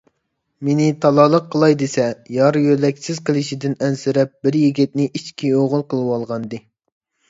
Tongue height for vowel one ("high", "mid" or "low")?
mid